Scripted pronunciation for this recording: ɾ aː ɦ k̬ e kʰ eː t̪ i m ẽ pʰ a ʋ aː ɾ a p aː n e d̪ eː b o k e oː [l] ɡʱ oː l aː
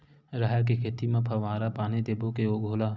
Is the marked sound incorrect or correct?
incorrect